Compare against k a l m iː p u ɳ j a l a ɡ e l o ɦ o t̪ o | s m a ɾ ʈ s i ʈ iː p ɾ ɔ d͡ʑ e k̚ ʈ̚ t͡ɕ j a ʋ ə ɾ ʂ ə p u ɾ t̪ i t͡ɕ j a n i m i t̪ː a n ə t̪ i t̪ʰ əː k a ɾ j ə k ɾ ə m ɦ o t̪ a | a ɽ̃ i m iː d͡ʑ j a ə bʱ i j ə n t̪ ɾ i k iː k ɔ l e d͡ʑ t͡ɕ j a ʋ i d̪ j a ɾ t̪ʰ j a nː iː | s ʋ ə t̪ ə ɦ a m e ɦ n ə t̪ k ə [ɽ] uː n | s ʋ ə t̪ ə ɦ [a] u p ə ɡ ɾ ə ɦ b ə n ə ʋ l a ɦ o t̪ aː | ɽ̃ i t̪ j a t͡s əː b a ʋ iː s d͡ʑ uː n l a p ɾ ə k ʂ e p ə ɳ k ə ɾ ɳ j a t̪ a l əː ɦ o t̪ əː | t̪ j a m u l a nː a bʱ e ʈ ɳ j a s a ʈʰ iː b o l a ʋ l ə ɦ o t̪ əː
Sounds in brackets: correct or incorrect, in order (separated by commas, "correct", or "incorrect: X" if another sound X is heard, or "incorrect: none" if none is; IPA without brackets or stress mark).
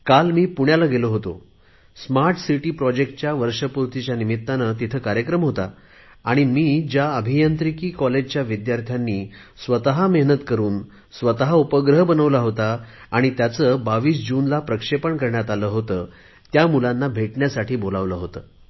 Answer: incorrect: ɾ, correct